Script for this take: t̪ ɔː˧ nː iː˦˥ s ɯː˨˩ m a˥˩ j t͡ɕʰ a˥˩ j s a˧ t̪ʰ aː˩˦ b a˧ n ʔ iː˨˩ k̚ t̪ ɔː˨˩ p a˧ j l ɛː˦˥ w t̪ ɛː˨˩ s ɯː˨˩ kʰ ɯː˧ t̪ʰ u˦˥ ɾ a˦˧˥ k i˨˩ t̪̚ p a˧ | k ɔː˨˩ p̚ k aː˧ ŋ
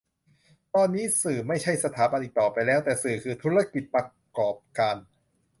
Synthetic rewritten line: t̪ ɔː˧ nː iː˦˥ s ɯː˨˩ m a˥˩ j t͡ɕʰ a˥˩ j s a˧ t̪ʰ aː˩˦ b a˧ n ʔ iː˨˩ k̚ t̪ ɔː˨˩ p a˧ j l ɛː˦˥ w t̪ ɛː˨˩ s ɯː˨˩ kʰ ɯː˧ t̪ʰ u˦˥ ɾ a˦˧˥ k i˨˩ t̪̚ p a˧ | k ɔː˨˩ p̚ k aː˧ n